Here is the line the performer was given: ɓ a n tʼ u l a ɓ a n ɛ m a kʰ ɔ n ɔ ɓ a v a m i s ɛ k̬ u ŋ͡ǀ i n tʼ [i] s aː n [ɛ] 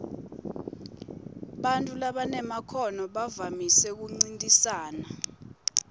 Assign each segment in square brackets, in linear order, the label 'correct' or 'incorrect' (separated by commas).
correct, incorrect